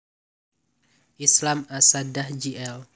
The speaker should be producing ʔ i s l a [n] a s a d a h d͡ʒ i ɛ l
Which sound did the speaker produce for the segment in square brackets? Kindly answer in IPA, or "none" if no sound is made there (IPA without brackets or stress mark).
m